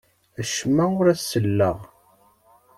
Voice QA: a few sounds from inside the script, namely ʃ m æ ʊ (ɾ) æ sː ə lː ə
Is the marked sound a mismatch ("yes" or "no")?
no